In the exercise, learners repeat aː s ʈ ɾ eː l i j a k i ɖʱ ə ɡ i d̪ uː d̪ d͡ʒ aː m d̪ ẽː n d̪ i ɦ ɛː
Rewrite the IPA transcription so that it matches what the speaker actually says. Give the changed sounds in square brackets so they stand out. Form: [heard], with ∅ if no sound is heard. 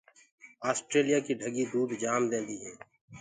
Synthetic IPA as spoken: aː s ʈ ɾ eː l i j a k i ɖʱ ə ɡ i d̪ uː d̪ d͡ʒ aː m d̪ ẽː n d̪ i ɦ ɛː